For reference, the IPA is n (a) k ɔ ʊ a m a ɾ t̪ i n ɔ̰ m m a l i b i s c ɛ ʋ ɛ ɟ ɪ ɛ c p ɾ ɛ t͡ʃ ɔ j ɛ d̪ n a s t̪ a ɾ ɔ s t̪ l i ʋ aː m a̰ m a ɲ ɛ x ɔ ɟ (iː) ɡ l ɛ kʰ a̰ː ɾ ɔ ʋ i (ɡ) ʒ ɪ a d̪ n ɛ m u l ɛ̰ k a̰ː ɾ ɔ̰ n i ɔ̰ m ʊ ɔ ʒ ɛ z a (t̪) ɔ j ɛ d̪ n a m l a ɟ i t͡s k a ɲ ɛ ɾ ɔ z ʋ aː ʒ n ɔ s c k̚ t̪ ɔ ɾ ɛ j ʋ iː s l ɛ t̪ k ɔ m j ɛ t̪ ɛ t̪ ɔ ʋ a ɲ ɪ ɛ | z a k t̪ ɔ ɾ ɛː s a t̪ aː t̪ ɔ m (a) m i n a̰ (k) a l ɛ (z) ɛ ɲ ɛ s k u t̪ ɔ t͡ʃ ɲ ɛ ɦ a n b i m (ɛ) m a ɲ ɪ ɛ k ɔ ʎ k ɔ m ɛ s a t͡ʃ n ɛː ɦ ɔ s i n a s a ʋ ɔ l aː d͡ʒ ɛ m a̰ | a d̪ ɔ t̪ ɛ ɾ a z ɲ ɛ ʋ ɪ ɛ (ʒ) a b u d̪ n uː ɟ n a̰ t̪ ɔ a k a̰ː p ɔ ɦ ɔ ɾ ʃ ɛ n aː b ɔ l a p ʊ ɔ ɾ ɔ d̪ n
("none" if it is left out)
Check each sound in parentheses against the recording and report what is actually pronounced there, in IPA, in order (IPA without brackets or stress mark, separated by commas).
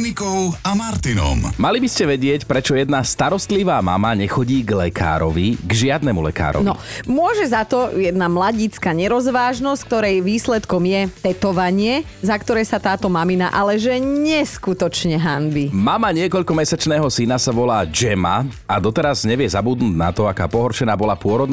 i, iː, ɡ, t̪, a, ʔ, ʒ, a, z